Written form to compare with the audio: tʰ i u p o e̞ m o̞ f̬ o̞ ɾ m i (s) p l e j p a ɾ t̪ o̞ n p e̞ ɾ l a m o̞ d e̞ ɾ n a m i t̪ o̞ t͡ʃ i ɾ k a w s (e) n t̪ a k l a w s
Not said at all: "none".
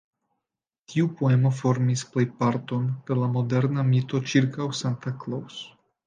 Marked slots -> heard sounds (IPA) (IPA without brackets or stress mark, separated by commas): s, a